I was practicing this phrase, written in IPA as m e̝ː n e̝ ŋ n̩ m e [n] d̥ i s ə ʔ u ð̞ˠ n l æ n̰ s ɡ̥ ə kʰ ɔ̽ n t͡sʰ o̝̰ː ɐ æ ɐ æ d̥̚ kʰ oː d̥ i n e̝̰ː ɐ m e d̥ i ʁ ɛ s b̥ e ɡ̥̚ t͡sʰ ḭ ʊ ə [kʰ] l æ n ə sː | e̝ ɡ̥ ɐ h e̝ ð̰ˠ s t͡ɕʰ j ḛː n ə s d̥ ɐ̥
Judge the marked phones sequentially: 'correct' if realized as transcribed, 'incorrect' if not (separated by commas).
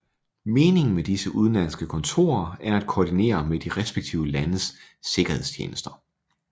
incorrect, incorrect